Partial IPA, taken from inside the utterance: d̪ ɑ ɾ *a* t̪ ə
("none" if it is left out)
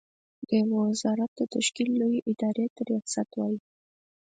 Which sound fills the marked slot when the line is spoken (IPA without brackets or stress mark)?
e